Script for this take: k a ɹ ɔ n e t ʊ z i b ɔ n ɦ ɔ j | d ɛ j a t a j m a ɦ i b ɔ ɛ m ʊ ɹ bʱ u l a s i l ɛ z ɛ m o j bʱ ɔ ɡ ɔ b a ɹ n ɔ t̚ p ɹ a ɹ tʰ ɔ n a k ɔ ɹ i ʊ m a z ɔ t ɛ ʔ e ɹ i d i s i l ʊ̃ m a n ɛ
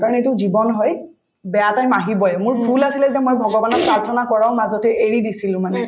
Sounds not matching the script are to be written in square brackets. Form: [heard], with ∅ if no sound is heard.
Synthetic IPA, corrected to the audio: k a ɹ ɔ n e t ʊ z i b ɔ n ɦ ɔ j | [b] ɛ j a t a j m a ɦ i b ɔ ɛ m ʊ ɹ bʱ u l a s i l ɛ z ɛ m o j bʱ ɔ ɡ ɔ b a [∅] n ɔ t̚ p ɹ a ɹ tʰ ɔ n a k ɔ ɹ [a] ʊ m a z ɔ t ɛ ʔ e ɹ i d i s i l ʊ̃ m a n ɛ

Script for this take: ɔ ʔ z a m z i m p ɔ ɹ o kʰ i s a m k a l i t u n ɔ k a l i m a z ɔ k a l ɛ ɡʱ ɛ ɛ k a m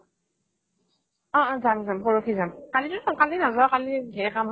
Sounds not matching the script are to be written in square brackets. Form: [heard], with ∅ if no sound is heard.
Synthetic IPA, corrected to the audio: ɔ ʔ z a m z [a] m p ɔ ɹ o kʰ i [z] a m k a l i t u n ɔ k a l i [n] a z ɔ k a l [i] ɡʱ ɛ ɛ k a m

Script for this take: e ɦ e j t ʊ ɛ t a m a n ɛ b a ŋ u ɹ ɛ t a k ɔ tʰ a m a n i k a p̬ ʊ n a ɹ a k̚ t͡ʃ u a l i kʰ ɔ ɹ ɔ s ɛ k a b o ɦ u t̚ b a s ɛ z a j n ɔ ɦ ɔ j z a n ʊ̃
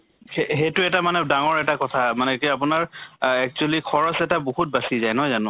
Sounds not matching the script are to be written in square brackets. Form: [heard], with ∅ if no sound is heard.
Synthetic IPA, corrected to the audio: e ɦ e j t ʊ ɛ t a m a n ɛ [d] a ŋ [ɔ] ɹ ɛ t a k ɔ tʰ a m a n [ɛ] k a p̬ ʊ n a ɹ [ɛ] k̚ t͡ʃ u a l i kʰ ɔ ɹ ɔ s ɛ [t] a b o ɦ u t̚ b a s [i] z a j n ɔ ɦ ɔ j z a n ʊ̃

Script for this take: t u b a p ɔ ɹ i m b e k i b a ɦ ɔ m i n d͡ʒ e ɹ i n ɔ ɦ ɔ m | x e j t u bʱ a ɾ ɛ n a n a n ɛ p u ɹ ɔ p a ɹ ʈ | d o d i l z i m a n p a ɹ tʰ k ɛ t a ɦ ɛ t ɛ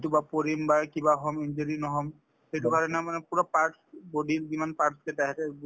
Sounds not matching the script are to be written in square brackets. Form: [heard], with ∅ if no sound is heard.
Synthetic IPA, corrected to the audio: t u b a p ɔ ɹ i m b [a] k i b a ɦ ɔ m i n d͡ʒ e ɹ i n ɔ ɦ ɔ m | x e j t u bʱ a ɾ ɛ n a [m] a n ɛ p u ɹ ɔ p a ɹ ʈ | [b] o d i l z i m a n p a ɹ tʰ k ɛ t a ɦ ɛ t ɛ

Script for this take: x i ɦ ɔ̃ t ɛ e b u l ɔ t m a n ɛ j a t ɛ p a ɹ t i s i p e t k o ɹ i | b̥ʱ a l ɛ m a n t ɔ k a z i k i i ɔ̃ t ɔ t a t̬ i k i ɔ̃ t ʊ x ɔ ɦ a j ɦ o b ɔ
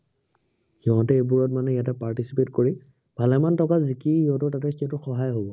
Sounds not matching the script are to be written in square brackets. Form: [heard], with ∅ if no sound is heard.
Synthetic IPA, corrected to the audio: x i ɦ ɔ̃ t ɛ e b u [ɹ] ɔ t m a n ɛ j a t ɛ p a ɹ t i s i p e t k o ɹ i | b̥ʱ a l ɛ m a n t ɔ k a z i k i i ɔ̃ t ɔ t a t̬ [ɛ] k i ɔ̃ t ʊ x ɔ ɦ a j ɦ o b ɔ

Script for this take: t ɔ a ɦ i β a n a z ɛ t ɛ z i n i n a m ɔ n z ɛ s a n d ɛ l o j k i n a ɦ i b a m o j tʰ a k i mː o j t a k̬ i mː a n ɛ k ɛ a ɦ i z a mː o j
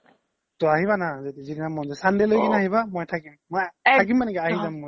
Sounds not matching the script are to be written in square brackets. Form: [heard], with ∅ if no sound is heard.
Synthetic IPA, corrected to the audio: t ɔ a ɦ i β a n a z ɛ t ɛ z i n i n a m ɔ n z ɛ s a n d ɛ l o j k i n a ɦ i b a m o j tʰ a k i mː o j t a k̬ i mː a n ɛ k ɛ a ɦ i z a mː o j

